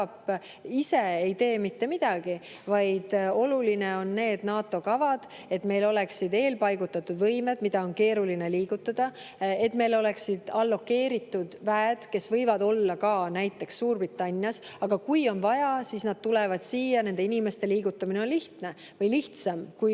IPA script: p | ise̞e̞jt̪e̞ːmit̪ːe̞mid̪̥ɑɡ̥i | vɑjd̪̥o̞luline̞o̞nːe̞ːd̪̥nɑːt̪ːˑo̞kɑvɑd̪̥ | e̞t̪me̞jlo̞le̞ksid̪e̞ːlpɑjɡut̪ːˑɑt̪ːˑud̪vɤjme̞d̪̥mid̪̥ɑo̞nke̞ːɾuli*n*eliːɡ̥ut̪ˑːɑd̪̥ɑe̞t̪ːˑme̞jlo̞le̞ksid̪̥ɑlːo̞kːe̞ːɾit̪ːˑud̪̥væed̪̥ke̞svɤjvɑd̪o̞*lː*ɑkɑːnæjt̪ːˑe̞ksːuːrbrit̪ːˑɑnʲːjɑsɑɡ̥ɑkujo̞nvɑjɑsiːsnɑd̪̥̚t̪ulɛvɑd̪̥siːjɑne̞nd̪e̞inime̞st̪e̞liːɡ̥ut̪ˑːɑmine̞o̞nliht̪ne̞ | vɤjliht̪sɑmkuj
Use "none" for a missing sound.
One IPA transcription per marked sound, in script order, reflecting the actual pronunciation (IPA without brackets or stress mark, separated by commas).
n, lː